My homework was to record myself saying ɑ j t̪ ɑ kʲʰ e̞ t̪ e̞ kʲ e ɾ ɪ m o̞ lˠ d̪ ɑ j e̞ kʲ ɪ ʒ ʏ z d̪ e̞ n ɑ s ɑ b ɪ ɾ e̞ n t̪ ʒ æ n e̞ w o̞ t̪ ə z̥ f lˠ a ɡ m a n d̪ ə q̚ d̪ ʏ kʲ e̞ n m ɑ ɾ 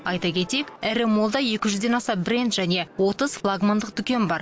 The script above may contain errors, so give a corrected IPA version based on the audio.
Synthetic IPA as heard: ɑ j t̪ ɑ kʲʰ e̞ t̪ e̞ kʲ æ ɾ ɪ m o̞ lˠ d̪ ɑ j e̞ kʲ ɪ ʒ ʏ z d̪ e̞ n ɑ s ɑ b ɪ ɾ e̞ n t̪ ʒ æ n e̞ w o̞ t̪ ə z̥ f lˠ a ɡ m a n d̪ ə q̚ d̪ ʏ kʲ e̞ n b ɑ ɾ